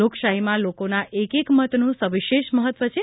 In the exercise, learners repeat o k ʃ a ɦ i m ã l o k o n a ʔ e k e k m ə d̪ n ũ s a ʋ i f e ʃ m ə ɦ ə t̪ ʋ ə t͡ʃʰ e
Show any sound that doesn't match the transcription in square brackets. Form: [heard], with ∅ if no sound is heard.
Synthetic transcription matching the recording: o k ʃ a ɦ i m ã l o k o n a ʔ e k e k m ə [t̪] n ũ s [ə] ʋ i [ʃ] e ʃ m ə ɦ ə t̪ ʋ ə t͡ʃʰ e